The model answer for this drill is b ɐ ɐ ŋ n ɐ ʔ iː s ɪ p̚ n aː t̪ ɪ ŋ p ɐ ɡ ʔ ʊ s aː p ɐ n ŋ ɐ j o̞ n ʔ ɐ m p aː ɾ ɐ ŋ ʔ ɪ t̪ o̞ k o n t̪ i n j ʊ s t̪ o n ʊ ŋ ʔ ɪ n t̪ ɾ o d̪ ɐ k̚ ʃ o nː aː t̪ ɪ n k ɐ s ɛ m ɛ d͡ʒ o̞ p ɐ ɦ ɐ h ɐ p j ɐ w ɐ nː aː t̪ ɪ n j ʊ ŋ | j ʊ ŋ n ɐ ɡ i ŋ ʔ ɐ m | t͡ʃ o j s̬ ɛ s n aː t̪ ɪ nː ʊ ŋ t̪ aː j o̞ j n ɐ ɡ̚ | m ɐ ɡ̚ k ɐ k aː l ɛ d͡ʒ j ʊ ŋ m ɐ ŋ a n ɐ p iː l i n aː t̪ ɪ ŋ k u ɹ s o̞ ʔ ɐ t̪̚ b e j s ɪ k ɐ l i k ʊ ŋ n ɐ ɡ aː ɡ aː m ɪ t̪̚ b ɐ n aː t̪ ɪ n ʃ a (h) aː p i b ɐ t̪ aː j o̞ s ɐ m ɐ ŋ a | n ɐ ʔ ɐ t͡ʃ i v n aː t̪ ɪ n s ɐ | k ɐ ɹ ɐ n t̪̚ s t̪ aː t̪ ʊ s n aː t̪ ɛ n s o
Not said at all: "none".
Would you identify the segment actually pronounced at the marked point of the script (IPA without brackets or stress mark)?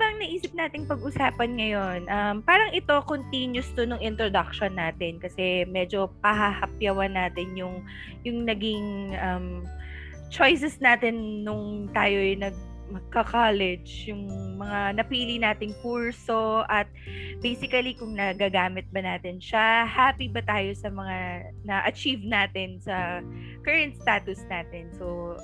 h